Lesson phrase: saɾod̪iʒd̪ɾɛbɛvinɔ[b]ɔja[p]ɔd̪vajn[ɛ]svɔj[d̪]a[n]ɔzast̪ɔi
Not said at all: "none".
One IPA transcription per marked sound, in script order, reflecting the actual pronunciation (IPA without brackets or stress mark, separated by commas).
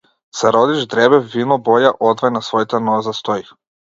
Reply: b, ʔ, a, t̪, n